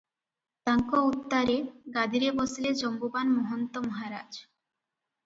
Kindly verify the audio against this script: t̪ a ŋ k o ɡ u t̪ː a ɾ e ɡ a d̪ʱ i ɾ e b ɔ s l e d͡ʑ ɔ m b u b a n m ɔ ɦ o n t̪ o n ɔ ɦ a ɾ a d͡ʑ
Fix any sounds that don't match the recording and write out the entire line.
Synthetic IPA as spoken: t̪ a ŋ k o u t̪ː a ɾ e ɡ a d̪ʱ i ɾ e b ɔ s l e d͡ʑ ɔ m b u b a n m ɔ ɦ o n t̪ o m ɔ ɦ a ɾ a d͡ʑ